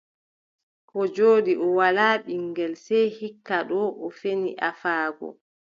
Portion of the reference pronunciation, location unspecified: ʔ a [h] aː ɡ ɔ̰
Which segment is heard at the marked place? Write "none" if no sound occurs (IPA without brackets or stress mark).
f